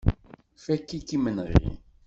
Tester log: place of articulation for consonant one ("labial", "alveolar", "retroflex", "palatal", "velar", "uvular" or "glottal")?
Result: labial